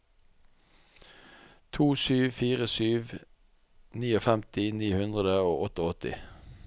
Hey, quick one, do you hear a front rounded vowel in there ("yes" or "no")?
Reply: yes